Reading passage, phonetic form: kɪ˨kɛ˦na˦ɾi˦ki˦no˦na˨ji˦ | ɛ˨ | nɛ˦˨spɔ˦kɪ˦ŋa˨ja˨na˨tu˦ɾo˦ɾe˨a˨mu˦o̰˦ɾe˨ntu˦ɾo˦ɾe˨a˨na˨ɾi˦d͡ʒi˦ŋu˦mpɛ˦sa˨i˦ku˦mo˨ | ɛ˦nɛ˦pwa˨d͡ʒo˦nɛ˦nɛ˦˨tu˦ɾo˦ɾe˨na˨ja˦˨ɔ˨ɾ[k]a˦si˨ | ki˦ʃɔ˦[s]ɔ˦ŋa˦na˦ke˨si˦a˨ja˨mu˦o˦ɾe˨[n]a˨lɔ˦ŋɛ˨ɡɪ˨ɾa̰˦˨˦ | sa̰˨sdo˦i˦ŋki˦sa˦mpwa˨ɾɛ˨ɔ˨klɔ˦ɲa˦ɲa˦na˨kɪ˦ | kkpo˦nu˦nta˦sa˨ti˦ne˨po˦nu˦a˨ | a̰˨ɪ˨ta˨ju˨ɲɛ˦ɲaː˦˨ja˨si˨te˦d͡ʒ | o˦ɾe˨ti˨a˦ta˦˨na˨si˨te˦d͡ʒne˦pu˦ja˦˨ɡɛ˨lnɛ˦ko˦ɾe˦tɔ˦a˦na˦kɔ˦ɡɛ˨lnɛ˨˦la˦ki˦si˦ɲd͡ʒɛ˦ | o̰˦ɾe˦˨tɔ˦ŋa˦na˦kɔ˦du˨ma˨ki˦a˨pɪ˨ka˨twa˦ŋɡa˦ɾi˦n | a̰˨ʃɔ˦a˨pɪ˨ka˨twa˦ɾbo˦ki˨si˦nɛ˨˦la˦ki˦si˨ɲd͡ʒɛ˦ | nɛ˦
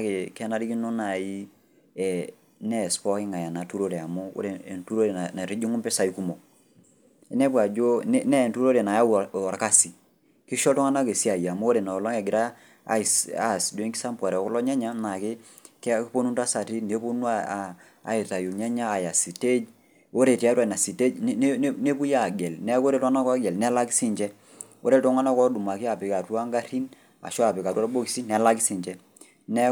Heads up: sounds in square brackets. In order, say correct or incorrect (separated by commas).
correct, incorrect, correct